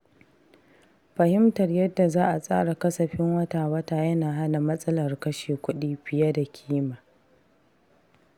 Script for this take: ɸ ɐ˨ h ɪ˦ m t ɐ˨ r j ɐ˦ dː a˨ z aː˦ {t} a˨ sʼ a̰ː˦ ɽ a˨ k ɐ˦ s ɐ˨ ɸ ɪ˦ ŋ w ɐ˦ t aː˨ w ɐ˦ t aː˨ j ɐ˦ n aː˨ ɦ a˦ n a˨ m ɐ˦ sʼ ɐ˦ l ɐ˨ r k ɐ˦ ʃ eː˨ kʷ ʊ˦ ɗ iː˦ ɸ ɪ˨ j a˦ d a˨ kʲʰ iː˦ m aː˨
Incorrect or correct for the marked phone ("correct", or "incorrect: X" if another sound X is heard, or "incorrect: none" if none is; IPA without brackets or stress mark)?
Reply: incorrect: ʔ